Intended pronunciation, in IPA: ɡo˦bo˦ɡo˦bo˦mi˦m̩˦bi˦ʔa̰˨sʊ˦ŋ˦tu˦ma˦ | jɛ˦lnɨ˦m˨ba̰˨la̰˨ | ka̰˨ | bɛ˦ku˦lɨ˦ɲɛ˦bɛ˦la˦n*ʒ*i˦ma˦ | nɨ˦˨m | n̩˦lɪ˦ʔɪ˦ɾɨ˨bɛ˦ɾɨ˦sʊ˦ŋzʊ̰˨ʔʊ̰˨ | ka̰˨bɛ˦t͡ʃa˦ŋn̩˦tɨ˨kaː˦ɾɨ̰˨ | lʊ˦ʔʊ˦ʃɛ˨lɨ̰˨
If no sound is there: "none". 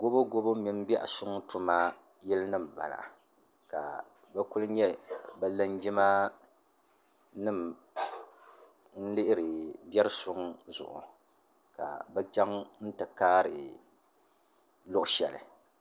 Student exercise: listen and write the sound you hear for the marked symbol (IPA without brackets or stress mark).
d͡ʒ